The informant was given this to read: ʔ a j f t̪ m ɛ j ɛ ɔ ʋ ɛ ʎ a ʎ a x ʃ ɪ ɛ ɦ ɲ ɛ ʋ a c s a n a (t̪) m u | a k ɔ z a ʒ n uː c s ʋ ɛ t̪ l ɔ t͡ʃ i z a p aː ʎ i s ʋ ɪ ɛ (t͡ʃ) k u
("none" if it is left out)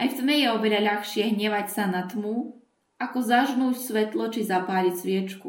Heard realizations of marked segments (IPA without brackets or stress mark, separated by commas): t̪, t͡ʃ